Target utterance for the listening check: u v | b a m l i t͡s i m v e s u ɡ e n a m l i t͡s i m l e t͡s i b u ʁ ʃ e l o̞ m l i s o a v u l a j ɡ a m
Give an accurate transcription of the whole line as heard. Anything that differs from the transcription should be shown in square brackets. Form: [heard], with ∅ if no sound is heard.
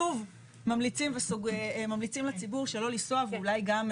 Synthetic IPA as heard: u v | [m] a m l i t͡s i m v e s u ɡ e [m] a m l i t͡s i m l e t͡s i b u ʁ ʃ e l o̞ [∅] l i s o a v u l a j ɡ a m